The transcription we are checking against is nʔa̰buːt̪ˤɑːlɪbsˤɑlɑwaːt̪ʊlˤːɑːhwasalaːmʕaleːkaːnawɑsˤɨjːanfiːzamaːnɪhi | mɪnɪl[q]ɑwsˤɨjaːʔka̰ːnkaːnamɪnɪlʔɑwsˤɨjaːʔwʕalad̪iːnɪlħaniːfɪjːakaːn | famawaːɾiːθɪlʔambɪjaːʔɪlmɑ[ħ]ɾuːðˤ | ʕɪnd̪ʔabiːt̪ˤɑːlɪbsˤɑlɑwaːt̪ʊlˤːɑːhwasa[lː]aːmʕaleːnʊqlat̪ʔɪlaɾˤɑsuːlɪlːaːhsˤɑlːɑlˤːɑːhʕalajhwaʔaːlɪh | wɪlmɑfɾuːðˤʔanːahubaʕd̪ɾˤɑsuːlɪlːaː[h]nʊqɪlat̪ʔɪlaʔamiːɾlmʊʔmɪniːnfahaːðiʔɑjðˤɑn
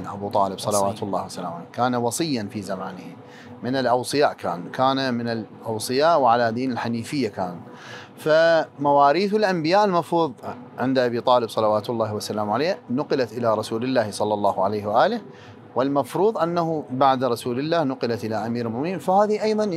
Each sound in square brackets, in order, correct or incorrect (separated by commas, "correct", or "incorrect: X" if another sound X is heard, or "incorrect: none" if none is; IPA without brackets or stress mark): incorrect: ʔ, incorrect: f, incorrect: l, correct